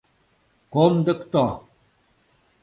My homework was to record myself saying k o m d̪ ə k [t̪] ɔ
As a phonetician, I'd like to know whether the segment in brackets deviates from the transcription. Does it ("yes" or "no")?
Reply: no